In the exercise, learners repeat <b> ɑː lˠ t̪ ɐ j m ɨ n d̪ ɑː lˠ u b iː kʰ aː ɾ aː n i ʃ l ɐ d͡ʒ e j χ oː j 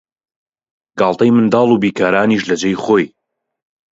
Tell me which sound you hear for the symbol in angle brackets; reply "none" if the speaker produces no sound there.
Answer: ɡ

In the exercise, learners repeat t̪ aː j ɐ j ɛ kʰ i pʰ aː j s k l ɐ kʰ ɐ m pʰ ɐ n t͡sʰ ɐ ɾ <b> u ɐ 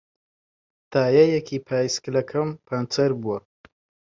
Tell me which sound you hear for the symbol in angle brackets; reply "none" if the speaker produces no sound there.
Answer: b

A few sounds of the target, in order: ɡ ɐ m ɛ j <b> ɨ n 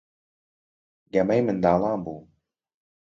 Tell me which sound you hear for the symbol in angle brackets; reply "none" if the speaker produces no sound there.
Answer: m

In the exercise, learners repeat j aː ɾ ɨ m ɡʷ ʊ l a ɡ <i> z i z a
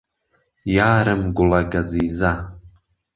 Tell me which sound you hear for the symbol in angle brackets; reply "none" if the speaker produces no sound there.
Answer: a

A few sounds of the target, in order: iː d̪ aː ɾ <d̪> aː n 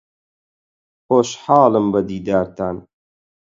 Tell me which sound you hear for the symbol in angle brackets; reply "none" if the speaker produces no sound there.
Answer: t̪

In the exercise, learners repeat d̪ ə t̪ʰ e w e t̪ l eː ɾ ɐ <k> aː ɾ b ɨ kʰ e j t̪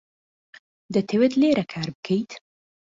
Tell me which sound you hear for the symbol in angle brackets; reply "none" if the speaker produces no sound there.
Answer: kʰ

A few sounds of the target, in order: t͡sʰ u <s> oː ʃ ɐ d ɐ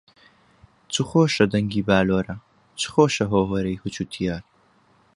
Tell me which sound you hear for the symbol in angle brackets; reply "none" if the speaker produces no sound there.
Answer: χ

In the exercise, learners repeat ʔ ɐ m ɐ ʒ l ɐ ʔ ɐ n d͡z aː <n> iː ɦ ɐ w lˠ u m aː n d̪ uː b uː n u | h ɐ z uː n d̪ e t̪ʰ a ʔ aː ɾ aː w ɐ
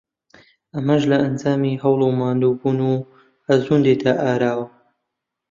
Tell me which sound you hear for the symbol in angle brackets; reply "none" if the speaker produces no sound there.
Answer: m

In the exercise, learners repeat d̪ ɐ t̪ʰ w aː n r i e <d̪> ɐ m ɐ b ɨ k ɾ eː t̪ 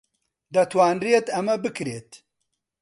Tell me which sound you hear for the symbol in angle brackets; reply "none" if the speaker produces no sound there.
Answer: t̪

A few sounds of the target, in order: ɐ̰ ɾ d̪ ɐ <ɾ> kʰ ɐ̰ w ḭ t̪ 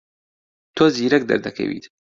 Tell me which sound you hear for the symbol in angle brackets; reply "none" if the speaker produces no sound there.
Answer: none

